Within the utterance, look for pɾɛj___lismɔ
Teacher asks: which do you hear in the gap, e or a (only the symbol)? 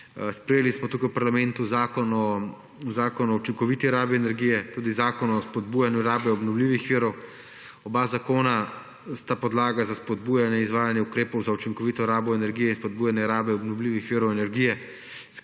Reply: e